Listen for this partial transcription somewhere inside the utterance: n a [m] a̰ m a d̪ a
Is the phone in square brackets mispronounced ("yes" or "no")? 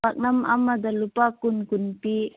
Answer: no